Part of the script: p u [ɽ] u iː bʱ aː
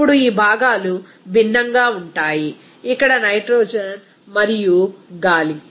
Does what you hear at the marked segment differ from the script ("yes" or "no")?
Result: no